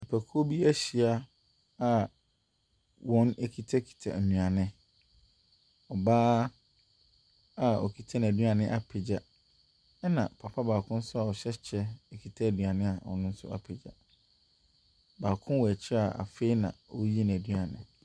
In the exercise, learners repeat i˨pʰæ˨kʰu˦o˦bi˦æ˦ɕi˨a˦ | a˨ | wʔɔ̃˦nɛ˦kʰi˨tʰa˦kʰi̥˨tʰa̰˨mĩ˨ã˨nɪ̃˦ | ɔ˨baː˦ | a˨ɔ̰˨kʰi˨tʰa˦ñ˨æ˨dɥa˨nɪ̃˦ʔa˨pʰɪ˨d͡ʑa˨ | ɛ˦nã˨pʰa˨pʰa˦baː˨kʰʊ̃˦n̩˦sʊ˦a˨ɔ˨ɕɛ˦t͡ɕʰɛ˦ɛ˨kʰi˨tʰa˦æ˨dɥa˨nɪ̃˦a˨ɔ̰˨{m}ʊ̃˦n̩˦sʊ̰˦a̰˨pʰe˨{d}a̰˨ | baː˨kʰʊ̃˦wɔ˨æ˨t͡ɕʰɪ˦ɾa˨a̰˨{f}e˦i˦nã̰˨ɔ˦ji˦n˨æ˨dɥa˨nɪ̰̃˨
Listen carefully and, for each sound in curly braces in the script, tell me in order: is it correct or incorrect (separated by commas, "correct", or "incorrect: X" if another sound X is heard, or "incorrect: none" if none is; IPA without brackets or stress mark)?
incorrect: n, incorrect: d͡ʑ, correct